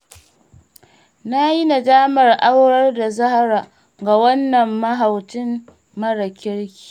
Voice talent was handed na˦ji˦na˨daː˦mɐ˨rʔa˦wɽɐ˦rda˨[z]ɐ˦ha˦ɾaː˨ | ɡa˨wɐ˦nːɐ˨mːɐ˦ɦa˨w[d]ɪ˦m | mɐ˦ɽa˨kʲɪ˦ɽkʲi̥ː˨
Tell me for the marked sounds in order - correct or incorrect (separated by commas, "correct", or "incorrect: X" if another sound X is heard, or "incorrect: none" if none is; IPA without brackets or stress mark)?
correct, incorrect: t